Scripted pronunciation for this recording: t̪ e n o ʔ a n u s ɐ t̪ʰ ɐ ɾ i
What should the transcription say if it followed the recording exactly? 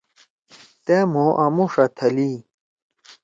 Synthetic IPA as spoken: t̪ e m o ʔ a m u ʂ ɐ t̪ʰ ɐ l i